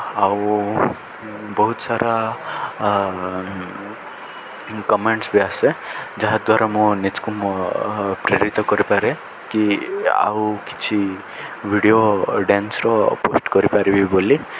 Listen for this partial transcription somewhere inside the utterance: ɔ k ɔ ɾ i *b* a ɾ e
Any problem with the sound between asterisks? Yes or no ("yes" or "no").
yes